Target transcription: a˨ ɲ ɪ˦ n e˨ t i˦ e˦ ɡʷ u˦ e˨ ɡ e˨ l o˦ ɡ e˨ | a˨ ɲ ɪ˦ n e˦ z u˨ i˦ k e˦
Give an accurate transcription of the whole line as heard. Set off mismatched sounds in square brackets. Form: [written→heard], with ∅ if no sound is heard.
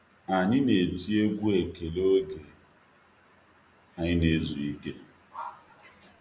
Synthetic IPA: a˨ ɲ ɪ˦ n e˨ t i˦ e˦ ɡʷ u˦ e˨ [ɡ→k] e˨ l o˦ ɡ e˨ | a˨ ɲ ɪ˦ n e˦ z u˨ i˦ k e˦